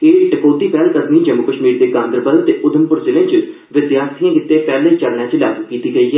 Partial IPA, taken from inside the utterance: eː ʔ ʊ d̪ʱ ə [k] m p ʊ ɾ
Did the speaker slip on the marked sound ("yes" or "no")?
yes